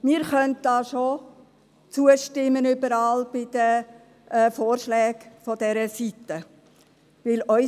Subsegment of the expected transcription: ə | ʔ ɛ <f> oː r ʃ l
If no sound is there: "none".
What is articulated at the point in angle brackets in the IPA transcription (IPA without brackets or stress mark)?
f